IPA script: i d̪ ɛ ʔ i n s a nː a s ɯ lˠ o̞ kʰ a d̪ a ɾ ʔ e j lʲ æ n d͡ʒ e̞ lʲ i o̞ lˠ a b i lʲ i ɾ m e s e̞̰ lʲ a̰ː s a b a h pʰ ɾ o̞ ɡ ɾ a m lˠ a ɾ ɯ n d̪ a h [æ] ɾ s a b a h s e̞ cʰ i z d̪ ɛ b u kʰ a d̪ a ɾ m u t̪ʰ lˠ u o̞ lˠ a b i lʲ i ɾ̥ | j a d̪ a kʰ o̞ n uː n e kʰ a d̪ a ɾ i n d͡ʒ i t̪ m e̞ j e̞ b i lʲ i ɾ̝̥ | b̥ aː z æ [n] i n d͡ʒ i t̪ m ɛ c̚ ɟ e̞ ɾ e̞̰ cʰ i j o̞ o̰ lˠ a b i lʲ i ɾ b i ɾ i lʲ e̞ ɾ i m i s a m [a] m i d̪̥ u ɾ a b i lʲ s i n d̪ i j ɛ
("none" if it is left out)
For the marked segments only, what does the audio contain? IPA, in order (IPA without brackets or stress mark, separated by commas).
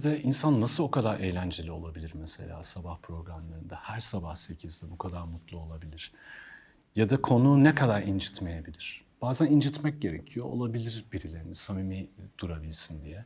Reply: æ, n, i